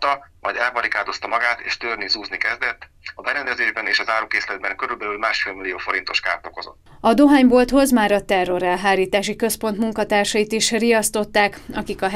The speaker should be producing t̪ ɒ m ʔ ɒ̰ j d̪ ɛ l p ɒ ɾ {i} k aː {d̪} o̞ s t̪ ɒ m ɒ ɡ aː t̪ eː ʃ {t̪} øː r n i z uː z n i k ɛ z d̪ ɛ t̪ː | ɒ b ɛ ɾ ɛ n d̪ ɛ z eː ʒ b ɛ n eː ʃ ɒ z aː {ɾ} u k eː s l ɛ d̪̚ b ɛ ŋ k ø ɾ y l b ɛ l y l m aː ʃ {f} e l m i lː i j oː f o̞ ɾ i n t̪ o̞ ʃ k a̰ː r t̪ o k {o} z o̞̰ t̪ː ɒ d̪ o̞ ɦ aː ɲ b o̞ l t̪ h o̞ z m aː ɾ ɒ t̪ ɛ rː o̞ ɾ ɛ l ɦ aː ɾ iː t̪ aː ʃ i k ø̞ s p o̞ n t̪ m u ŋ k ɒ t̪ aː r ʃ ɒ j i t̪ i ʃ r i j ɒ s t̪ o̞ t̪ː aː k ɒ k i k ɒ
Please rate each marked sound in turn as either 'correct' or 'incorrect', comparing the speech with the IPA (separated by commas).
correct, correct, correct, correct, correct, correct